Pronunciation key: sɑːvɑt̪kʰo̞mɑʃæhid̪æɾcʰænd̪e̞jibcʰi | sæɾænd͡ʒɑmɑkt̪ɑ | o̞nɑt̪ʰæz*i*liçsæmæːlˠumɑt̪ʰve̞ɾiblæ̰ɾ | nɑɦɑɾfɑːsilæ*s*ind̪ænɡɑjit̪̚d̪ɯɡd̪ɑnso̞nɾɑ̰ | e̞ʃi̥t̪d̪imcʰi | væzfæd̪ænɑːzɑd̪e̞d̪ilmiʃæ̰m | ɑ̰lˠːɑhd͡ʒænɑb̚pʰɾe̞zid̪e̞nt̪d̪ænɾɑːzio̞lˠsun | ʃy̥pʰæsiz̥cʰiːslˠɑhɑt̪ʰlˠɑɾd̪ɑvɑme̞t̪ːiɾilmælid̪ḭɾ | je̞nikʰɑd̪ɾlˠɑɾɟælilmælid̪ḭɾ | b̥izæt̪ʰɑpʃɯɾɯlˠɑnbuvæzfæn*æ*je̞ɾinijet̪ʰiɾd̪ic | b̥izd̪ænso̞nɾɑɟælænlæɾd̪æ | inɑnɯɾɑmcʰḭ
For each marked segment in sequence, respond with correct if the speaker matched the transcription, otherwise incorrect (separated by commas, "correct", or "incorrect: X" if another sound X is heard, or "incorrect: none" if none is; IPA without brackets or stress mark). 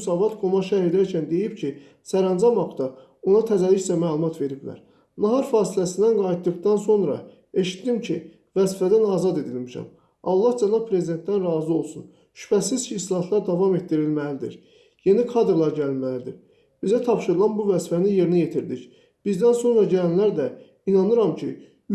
incorrect: æ, correct, incorrect: i